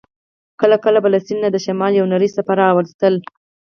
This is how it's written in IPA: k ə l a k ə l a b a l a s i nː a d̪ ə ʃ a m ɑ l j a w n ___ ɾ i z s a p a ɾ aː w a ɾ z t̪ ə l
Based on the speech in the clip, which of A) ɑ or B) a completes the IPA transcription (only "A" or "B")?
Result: B